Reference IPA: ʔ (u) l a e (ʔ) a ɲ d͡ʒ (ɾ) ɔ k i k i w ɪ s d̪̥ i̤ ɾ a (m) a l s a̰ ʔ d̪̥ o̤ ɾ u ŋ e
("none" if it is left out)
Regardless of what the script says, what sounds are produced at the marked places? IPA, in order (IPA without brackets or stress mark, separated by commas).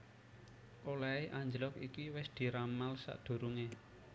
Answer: o, ʔ, l, m